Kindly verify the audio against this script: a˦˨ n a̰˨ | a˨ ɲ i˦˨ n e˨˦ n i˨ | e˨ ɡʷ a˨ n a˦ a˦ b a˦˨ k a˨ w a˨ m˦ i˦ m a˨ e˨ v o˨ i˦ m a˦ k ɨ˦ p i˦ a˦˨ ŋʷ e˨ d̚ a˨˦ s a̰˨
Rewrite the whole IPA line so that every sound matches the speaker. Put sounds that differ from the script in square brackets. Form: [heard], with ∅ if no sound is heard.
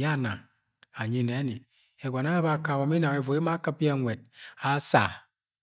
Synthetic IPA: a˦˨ n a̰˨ | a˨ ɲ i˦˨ n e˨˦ n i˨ | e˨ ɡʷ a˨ n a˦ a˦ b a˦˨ k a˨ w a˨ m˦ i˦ [n] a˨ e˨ v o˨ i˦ m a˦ k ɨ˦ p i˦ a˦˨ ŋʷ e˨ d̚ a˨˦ s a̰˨